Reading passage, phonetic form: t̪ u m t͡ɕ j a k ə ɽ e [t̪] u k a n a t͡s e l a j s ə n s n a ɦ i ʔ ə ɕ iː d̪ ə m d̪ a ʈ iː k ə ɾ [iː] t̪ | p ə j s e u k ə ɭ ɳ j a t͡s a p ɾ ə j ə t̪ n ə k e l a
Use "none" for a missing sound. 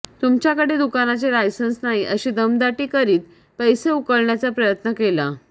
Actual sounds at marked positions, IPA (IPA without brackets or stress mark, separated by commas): d̪, iː